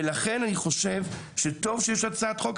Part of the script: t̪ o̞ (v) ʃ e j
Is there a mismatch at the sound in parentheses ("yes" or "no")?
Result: no